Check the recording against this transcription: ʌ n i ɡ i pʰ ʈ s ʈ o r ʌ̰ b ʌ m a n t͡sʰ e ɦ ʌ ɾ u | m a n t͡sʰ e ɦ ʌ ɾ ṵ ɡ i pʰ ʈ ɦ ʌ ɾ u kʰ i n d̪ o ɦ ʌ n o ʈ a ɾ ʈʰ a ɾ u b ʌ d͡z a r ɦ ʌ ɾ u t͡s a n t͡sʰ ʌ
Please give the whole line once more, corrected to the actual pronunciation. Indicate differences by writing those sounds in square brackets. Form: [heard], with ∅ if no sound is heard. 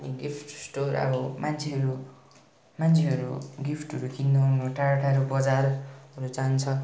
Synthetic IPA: ʌ n i ɡ i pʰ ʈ s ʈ o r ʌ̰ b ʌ m a n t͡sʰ e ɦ ʌ ɾ u | m a n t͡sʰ e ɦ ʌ ɾ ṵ ɡ i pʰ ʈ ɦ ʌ ɾ u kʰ i n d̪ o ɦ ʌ n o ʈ a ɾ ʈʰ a ɾ u b ʌ d͡z a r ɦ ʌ ɾ u t͡s a n t͡sʰ ʌ